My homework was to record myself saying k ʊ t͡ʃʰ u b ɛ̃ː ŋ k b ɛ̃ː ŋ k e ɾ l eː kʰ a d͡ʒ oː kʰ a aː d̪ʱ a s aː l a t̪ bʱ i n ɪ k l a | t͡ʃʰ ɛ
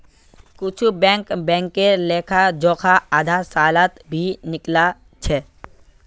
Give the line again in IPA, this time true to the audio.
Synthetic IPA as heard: k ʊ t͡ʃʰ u b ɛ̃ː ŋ k b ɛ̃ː ŋ k e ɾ l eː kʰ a d͡ʒ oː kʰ a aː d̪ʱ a s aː l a t̪ bʱ i n ɪ k l a | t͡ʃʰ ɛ